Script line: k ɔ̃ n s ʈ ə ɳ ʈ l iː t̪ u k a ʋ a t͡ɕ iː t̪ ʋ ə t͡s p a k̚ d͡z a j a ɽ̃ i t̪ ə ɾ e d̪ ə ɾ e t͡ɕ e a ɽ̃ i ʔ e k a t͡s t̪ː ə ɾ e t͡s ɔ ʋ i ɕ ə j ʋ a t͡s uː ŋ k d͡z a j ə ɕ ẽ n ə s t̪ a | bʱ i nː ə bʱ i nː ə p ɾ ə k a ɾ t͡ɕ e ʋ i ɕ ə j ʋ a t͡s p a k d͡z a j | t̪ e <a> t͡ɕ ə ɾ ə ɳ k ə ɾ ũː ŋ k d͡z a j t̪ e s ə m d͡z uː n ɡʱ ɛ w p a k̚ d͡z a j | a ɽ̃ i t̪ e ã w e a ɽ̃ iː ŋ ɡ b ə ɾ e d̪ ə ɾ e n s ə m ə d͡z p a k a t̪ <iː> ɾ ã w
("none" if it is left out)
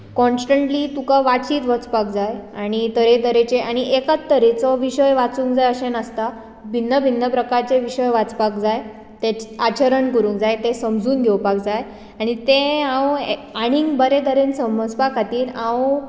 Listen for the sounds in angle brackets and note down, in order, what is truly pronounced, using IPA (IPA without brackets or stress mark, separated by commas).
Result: a, iː